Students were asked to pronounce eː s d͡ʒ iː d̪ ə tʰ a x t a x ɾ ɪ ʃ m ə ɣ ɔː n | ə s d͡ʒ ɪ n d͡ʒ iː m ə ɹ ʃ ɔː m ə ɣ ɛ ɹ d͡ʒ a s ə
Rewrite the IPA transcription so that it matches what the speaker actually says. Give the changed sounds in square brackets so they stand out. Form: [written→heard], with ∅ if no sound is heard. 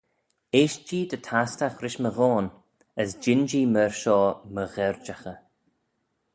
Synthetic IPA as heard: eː [s→ʃ] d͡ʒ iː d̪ ə tʰ a [x→s] t a x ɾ ɪ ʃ m ə ɣ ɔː n | ə s d͡ʒ ɪ n d͡ʒ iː m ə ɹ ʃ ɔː m ə ɣ ɛ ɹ d͡ʒ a [s→x] ə